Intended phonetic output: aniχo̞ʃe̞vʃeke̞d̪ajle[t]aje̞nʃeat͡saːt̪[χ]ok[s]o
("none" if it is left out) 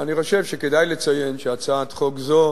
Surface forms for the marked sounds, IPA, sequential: t͡s, χ, z

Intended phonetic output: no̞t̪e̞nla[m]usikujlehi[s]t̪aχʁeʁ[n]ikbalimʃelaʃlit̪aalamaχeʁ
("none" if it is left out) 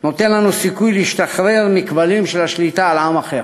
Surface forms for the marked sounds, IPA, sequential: n, ʃ, m

